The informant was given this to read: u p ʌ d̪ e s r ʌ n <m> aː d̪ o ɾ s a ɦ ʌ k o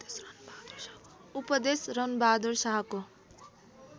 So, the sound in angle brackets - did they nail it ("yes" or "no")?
no